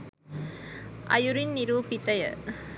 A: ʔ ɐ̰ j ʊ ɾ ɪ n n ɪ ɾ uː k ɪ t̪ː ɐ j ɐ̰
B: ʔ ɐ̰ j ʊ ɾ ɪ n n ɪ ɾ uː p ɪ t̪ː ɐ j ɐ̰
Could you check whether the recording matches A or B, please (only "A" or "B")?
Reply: B